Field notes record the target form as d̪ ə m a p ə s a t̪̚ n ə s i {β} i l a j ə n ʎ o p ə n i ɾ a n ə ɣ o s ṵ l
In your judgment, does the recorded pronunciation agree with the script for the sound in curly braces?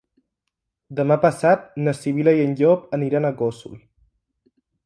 yes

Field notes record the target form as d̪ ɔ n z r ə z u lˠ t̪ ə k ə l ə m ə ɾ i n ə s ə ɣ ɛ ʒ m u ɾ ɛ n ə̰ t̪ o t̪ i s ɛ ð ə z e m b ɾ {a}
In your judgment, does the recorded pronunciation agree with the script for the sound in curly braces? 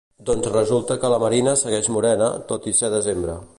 no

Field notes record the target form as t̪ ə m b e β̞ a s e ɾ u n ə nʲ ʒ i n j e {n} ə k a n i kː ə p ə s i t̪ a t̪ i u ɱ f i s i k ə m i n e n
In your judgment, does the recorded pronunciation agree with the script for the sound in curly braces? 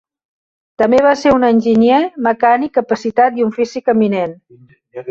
no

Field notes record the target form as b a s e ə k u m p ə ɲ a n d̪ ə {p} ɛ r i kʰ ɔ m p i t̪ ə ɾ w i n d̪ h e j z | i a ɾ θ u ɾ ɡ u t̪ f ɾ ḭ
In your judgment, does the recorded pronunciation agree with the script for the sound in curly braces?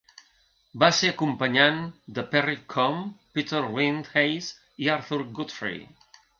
yes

